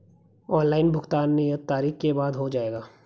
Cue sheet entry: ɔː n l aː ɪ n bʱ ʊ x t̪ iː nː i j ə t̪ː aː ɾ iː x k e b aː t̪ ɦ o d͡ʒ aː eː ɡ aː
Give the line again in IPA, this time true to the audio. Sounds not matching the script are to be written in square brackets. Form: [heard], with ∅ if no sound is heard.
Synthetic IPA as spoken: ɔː n l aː ɪ n bʱ ʊ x t̪ [aː] nː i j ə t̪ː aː ɾ iː x k e b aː [d̪] ɦ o d͡ʒ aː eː ɡ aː